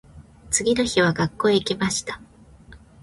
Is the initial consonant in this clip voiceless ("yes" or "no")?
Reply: yes